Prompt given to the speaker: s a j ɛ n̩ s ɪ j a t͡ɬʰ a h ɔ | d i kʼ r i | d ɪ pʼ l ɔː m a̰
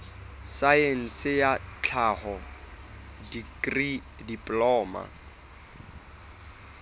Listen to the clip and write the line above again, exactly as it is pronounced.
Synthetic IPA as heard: s a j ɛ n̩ s ɪ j a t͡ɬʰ a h ɔ | d i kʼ r i | d i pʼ l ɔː m a̰